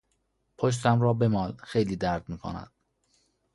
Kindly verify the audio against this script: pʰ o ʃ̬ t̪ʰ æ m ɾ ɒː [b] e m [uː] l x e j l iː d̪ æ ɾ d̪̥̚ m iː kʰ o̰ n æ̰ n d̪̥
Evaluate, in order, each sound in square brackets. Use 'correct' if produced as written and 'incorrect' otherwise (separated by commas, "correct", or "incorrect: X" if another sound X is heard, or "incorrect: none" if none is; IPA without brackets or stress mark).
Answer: correct, incorrect: ɒː